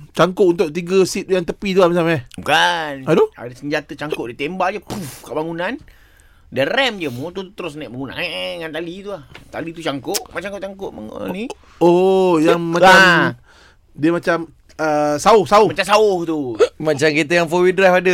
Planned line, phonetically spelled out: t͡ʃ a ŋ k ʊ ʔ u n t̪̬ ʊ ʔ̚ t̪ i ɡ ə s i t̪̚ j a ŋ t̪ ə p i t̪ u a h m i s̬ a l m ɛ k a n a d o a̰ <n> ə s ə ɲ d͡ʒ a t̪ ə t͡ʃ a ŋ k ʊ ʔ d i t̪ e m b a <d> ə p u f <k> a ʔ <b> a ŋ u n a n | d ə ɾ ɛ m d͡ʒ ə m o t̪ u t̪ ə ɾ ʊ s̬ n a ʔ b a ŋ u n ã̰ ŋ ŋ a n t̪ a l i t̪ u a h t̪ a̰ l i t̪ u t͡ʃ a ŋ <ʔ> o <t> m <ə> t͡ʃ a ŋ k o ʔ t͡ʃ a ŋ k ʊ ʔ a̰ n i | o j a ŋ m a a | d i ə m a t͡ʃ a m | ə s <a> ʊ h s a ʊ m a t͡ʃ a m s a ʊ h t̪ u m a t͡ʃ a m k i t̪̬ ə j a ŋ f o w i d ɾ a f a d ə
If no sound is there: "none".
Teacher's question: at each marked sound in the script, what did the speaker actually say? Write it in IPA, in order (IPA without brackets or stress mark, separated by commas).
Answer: d, d͡ʒ, k, b, k, ʔ, a, a